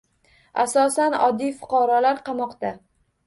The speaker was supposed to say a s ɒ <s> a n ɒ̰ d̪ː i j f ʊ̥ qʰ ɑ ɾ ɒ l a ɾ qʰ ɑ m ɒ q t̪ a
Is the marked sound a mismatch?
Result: no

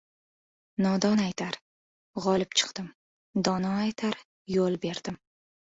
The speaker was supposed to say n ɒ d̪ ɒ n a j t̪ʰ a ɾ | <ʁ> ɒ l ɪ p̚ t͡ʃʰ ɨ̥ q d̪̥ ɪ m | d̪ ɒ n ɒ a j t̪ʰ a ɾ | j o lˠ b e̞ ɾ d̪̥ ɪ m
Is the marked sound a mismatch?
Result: no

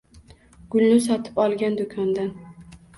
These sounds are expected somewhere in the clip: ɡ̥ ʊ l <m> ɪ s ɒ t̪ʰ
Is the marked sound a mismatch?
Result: yes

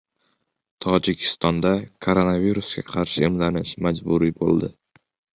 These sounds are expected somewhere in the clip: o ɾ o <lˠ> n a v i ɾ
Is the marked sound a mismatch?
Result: yes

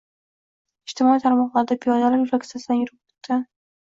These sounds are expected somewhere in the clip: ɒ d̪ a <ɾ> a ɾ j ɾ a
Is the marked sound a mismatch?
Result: yes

